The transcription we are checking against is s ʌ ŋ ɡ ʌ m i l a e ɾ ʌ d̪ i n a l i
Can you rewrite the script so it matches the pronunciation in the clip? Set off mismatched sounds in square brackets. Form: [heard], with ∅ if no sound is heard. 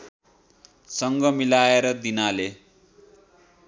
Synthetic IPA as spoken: s ʌ ŋ ɡ ʌ m i l a e ɾ ʌ d̪ i n a l [e]